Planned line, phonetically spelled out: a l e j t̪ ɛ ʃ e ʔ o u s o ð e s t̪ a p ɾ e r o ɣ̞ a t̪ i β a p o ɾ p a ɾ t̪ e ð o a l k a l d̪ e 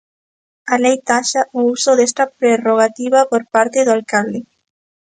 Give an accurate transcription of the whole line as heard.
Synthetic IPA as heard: a l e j t̪ a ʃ a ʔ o u s o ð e s t̪ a p ɾ e r o ɣ̞ a t̪ i β a p o ɾ p a ɾ t̪ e ð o a l k a l d̪ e